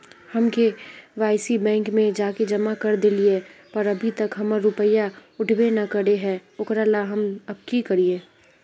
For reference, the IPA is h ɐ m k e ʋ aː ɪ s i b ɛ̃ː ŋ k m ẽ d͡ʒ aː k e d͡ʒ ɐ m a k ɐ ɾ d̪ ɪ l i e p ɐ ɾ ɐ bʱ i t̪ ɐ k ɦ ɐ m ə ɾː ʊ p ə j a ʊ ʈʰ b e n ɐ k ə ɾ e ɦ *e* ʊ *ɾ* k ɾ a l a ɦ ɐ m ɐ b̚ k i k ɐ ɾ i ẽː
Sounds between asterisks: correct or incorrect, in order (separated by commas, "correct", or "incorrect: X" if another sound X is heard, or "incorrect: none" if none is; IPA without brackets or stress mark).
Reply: incorrect: ɛ, incorrect: none